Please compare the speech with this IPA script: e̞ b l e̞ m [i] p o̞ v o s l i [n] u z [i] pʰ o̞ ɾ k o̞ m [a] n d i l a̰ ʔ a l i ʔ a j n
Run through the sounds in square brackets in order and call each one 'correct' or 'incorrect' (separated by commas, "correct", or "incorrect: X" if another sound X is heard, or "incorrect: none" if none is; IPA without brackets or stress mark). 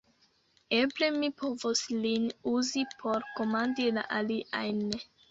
correct, correct, correct, correct